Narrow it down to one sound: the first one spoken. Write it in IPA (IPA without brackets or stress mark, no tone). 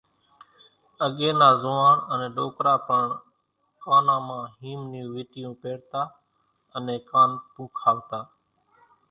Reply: ə